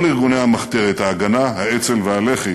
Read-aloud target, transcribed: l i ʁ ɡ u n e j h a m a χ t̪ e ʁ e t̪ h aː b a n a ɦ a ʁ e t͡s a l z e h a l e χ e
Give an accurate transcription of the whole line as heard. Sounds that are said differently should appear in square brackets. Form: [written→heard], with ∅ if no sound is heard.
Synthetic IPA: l i ʁ ɡ u n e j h a m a χ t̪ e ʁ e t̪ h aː [b→ɡ] a n a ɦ a [ʁ→∅] e t͡s [a→e] l [z→v] e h a l e χ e